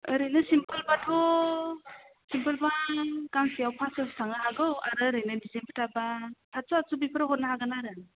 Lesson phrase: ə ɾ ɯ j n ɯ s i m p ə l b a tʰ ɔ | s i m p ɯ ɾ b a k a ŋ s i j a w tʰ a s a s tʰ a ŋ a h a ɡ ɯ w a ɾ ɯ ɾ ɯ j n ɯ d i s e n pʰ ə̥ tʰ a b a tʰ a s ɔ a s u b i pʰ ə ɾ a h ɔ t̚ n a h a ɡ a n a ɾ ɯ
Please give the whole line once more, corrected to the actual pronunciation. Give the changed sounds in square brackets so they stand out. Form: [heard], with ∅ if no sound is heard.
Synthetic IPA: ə ɾ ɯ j n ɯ s i m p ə l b a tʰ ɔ | s i m p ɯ [l] b a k a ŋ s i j a w [pʰ] a s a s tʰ a ŋ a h a ɡ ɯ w a ɾ ɯ ɾ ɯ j n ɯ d i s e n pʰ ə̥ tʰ a b a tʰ a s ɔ a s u b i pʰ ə ɾ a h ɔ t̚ n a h a ɡ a n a ɾ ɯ